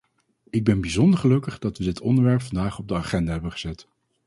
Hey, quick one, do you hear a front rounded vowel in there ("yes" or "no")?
no